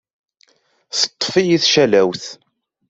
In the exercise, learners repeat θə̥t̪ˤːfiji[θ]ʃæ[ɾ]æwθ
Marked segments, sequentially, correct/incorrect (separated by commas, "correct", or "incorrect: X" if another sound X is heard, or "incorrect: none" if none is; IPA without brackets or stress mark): correct, incorrect: l